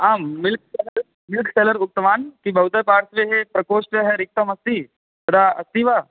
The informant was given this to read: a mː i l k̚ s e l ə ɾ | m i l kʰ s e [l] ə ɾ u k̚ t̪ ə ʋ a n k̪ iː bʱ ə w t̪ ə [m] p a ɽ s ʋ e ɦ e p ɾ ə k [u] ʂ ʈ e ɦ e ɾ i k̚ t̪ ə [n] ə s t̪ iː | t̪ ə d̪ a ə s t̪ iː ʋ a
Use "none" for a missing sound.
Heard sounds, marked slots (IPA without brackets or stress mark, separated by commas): l, none, o, m